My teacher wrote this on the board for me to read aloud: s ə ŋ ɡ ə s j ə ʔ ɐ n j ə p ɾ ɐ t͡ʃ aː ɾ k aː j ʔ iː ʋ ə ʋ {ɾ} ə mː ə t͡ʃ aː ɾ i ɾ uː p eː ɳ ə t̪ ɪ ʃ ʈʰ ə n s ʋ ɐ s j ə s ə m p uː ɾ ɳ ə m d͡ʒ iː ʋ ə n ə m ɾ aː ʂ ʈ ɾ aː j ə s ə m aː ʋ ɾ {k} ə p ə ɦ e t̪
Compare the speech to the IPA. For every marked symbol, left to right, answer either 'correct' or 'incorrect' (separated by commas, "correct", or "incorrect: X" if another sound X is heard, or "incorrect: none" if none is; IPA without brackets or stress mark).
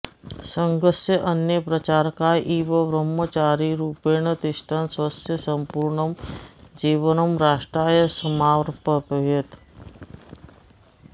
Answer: correct, incorrect: p